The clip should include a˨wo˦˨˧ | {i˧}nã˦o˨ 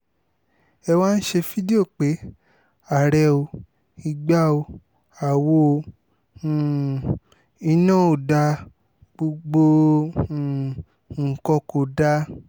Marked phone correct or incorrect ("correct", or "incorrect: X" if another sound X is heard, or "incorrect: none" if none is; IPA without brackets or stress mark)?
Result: correct